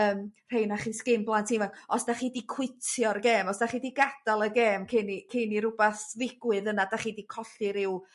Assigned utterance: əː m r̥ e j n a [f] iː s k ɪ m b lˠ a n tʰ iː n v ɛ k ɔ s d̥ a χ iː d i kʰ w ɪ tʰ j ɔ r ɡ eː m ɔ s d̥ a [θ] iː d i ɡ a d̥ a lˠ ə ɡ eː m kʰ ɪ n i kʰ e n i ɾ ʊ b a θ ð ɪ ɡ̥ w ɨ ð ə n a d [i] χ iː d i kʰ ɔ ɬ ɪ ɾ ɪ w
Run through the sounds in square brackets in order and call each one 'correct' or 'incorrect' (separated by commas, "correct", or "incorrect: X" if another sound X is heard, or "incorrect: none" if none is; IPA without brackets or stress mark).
incorrect: χ, incorrect: χ, incorrect: a